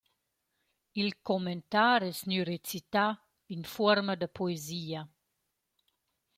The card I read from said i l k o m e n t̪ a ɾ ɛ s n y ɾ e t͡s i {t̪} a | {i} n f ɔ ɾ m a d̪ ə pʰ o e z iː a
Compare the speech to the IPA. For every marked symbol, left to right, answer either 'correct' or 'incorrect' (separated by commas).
correct, correct